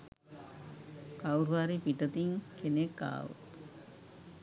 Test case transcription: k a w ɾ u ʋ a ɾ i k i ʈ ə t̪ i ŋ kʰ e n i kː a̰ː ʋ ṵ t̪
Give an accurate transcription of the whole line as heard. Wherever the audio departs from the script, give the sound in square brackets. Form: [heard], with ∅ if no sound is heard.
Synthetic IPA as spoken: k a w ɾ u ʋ a ɾ i [p] i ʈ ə t̪ i ŋ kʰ e n [e] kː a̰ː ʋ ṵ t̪